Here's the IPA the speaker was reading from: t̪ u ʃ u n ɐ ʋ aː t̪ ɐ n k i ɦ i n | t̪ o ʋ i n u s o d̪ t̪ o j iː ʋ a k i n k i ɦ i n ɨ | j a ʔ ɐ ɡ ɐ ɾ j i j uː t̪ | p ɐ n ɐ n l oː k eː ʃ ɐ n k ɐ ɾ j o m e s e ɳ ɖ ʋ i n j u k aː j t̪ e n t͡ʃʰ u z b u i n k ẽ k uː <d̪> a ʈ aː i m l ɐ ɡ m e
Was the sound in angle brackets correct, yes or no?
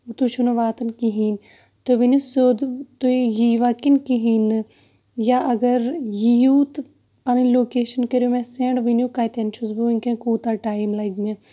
no